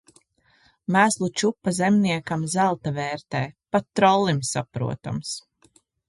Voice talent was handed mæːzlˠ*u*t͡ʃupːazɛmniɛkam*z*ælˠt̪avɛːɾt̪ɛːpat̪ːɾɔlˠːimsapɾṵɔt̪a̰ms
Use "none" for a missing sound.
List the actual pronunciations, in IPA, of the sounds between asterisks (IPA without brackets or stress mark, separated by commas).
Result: u, z